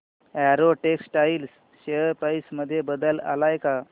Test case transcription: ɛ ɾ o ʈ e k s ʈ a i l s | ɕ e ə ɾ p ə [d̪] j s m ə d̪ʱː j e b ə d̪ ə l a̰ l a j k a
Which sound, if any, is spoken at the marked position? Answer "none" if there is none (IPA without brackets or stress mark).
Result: none